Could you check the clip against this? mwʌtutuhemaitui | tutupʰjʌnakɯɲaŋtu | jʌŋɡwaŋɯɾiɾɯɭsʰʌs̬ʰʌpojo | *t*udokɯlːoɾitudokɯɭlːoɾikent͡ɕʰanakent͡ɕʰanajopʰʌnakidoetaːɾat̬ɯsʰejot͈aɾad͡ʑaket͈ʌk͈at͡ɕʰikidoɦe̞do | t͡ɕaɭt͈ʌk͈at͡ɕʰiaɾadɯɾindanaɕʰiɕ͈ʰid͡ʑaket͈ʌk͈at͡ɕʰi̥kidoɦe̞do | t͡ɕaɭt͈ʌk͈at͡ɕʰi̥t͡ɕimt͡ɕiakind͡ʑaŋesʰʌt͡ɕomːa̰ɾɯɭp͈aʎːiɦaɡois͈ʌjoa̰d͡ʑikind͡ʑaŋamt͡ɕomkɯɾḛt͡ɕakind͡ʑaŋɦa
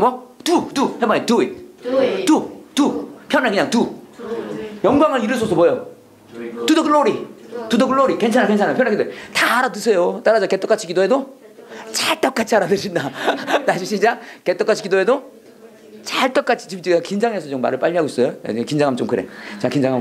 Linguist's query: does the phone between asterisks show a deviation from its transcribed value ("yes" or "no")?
no